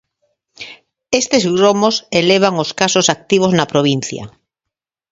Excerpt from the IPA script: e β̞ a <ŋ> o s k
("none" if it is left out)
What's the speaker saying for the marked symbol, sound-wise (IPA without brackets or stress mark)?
ŋ